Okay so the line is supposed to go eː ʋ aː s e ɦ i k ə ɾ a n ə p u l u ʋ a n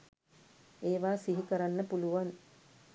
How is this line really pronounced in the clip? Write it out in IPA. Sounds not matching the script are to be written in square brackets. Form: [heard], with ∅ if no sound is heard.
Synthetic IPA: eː ʋ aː s [i] ɦ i k ə ɾ a [nː] ə p u l u ʋ a n